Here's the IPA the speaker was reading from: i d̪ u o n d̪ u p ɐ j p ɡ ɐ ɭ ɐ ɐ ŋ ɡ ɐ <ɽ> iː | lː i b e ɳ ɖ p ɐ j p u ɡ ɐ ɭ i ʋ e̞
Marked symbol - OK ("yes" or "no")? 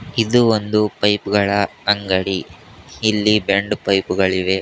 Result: yes